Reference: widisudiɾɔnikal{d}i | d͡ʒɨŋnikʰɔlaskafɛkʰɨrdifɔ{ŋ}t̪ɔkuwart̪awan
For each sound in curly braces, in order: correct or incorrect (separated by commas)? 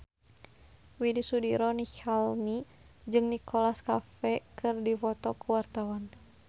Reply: incorrect, incorrect